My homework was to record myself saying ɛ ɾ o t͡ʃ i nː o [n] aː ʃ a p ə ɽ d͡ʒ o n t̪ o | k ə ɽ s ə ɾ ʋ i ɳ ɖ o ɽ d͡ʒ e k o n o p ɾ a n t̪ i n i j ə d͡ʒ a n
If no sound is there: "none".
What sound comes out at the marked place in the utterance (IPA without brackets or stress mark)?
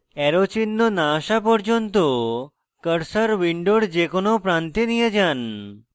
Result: n